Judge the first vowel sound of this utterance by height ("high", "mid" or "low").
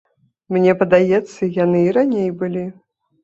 mid